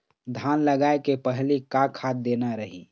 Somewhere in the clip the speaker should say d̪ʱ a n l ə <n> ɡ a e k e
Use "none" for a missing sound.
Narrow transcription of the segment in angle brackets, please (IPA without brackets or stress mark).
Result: none